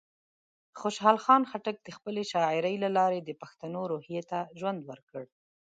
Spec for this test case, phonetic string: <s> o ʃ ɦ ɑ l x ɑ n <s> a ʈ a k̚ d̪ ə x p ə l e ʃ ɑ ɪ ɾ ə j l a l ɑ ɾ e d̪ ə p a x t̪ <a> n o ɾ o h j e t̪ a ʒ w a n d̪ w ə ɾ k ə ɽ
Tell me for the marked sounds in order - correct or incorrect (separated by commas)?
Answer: incorrect, incorrect, correct